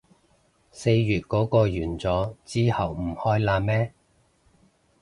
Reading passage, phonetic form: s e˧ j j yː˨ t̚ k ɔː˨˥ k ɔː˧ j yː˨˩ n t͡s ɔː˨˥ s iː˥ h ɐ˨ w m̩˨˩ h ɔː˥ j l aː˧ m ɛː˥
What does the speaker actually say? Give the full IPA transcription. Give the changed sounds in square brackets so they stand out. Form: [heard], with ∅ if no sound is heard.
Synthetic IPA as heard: s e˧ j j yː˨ t̚ k ɔː˨˥ k ɔː˧ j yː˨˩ n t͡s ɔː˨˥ [t͡s] iː˥ h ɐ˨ w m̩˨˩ h ɔː˥ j l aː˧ m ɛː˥